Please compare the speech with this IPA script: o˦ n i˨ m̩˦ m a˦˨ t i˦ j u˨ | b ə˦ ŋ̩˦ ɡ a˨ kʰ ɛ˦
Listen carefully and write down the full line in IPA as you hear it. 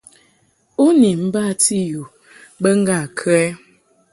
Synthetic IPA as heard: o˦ n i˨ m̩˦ b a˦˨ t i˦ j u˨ | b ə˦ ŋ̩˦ ɡ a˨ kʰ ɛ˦